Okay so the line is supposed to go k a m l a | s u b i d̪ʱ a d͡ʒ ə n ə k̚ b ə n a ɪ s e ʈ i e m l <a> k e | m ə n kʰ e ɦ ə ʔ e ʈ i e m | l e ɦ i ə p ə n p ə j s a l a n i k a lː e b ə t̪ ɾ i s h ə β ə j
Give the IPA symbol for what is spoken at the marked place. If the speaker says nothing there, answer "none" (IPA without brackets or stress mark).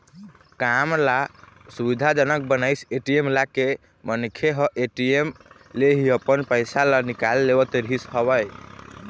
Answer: a